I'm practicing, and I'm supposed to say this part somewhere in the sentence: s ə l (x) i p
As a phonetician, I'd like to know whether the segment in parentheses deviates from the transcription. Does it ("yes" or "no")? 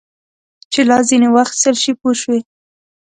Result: yes